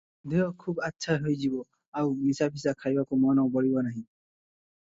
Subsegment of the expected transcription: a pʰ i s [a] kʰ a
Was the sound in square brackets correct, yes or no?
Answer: yes